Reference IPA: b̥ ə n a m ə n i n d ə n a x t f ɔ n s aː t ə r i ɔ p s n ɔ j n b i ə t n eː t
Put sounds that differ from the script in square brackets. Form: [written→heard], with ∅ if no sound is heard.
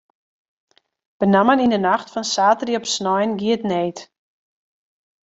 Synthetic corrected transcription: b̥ ə n a m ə n i n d ə n a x t f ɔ n s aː t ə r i ɔ p s n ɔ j n [b→ɡ] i ə t n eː t